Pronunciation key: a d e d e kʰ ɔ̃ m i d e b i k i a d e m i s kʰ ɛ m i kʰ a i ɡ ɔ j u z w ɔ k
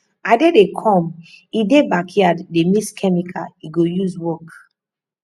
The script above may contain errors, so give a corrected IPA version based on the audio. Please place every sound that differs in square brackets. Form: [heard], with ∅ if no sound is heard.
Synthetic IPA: a d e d e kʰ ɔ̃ m i d e b [a] k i a d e m i s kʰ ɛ m i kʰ a i ɡ [o] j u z w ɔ k